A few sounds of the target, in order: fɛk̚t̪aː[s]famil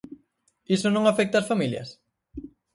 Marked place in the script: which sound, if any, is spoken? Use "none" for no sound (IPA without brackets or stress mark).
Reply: s